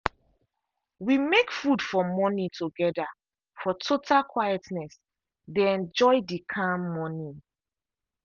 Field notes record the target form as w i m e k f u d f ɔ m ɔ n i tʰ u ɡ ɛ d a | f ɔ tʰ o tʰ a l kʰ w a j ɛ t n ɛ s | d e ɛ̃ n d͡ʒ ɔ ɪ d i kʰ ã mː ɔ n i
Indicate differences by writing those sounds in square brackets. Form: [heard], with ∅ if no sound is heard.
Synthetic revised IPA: w i m e k f u d f ɔ m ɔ n i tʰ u ɡ ɛ d a | f ɔ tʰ o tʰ a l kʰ w a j ɛ t n ɛ s | d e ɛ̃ n d͡ʒ ɔ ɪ d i kʰ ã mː ɔ n i

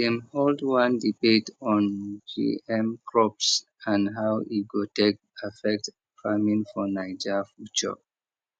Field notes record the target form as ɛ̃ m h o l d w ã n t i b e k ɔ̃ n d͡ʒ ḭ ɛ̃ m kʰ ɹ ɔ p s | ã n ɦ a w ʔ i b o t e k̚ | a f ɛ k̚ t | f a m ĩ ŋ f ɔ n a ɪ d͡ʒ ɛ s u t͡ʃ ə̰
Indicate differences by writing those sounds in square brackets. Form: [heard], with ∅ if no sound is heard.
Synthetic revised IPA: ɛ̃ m h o l d w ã n [d] i b e [t] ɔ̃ n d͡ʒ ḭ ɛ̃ m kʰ ɹ ɔ p s | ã n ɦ a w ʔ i [ɡ] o t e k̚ | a f ɛ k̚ t | f a m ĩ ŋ f ɔ n a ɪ d͡ʒ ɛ [f] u t͡ʃ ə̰

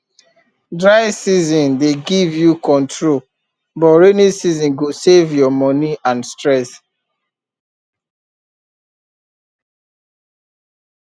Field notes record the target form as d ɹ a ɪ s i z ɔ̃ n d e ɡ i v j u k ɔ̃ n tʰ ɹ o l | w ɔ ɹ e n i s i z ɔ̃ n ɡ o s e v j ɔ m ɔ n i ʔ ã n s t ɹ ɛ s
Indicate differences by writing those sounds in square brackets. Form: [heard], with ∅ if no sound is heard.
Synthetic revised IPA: d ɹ a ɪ s i z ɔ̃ n d e ɡ i v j u k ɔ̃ n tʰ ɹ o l | [b] ɔ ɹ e n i s i z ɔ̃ n ɡ o s e v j ɔ m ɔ n i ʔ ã n s t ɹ ɛ s

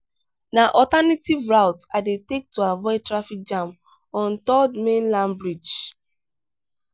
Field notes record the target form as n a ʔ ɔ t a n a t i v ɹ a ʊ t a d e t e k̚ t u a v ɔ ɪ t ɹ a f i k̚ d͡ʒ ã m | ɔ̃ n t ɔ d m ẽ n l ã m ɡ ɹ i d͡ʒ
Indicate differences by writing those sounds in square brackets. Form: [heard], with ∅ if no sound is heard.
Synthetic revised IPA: n a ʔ ɔ t a n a t i v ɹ a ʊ t a d e t e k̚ t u a v ɔ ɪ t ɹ a f i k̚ d͡ʒ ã m | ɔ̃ n t ɔ d m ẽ n l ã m [b] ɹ i d͡ʒ

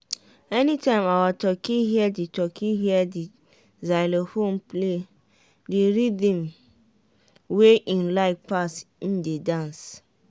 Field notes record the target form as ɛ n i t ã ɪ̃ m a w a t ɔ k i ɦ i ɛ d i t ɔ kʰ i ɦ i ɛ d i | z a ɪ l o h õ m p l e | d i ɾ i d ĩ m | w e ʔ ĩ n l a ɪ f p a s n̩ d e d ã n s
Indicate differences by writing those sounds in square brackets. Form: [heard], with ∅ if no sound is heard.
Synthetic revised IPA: ɛ n i t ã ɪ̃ m a w a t ɔ k i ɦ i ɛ d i t ɔ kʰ i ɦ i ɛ d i | z a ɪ l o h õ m p l e | d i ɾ i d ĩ m | w e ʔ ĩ n l a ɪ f p a s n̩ d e d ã n s

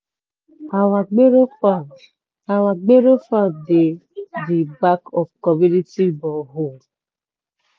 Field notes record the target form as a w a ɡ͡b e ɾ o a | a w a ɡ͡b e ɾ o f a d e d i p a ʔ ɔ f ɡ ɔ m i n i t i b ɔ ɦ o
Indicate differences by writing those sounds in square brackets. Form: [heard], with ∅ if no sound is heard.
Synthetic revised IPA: a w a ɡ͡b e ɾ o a | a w a ɡ͡b e ɾ o f a d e d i [b] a [k] ɔ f [k] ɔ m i n i t i b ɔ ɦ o

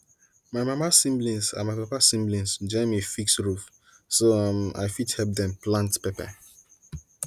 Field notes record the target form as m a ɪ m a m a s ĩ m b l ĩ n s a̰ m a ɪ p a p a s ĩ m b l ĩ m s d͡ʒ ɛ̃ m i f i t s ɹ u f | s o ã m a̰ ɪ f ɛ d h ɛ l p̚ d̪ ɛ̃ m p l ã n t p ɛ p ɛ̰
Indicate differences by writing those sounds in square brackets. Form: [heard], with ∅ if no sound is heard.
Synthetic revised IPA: m a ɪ m a m a s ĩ m b l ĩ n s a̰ m a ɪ p a p a s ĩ m b l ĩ [n] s d͡ʒ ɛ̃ m i f i [k] s ɹ u f | s o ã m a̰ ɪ f [i] d h ɛ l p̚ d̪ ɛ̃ m p l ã n t p ɛ p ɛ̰

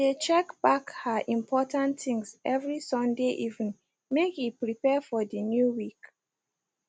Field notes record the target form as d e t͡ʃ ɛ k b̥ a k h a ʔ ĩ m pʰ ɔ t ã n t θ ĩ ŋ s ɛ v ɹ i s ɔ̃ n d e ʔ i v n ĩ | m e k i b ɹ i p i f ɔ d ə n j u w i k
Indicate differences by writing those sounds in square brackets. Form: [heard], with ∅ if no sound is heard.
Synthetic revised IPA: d e t͡ʃ ɛ k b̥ a k h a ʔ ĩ m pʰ ɔ t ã n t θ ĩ ŋ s ɛ v ɹ i s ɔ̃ n d e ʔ i v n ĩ | m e k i [p] ɹ i p [ɛ] f ɔ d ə n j u w i k

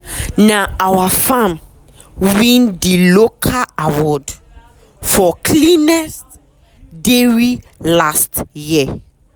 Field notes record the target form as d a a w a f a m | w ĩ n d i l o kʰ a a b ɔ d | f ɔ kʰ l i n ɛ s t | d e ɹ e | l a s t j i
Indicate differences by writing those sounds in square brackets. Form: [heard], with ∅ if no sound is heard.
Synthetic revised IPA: [n] a a w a f a m | w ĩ n d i l o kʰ a a [w] ɔ d | f ɔ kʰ l i n ɛ s t | d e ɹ [i] | l a s t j i

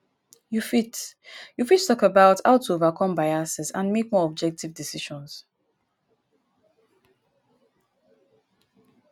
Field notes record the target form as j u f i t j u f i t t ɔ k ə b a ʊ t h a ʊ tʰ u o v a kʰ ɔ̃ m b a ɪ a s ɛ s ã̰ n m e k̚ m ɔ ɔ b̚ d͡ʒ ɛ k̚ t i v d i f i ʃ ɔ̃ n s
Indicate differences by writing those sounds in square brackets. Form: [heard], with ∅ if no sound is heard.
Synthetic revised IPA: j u f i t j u f i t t ɔ k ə b a ʊ t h a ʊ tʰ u o v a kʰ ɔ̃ m b a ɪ a s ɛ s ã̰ n m e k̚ m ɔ ɔ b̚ d͡ʒ ɛ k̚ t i v d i [s] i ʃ ɔ̃ n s

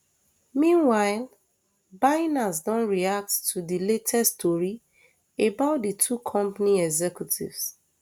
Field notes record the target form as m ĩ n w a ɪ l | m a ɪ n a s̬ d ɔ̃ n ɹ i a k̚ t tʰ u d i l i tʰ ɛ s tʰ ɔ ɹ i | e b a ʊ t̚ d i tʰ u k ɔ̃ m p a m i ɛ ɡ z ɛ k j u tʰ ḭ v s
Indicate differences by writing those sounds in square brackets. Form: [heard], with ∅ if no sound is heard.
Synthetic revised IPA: m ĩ n w a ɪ l | [b] a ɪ n a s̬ d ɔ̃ n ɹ i a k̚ t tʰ u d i l [e] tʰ ɛ s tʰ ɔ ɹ i | e b a ʊ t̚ d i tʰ u [kʰ] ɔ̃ m p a [n] i ɛ ɡ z ɛ k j u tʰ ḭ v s

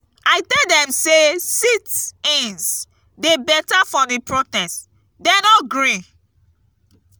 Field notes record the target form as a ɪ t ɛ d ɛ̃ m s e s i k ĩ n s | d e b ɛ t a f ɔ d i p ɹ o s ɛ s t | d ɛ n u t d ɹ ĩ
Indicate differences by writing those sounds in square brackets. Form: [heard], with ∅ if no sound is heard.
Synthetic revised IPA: a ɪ t ɛ d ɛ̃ m s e s i [t] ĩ n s | d e b ɛ t a f ɔ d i p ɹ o [t] ɛ s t | d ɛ n [ɔ] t [ɡ] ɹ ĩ

